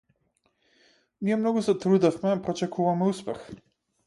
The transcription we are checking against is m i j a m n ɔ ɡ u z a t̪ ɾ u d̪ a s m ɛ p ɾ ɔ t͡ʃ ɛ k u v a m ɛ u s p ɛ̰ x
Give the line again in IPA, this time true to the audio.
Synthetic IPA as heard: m i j ɛ m n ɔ ɡ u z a t̪ ɾ u d̪ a f m ɛ p ɾ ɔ t͡ʃ ɛ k u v a m ɛ u s p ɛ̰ x